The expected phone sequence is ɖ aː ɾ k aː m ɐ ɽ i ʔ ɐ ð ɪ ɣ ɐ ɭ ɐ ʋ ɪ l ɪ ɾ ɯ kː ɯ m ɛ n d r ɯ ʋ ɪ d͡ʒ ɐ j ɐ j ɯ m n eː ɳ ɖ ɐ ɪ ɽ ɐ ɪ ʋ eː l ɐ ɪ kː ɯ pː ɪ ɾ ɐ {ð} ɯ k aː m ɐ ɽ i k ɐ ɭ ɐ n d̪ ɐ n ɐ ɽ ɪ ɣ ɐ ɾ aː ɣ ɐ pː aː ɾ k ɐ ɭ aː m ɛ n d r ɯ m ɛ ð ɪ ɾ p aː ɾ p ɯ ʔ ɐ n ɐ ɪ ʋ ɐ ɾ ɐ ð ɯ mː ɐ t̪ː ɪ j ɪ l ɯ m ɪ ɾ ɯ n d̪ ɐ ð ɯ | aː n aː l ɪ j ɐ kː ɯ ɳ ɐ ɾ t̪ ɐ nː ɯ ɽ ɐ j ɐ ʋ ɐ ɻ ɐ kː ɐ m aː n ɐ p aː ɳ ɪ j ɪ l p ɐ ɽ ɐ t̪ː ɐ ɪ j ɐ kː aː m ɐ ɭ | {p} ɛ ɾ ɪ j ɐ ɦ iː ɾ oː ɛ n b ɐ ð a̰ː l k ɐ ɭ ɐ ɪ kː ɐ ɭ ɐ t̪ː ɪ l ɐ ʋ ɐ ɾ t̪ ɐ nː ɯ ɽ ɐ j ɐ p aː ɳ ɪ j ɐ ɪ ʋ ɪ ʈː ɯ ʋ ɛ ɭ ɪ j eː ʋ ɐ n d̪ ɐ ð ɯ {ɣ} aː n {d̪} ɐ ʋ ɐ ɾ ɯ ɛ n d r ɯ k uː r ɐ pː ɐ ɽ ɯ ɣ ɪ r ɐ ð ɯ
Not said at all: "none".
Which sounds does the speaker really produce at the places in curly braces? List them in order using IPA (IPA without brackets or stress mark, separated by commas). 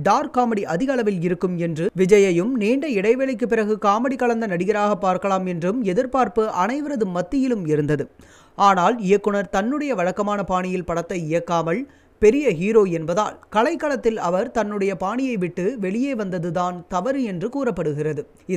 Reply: ɣ, p, ð, t̪